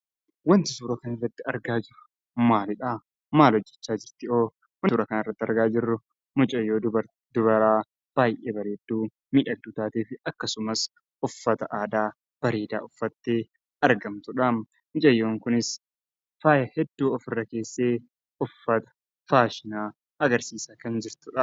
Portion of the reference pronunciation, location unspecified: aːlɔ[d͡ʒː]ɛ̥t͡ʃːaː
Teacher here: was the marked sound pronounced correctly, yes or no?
yes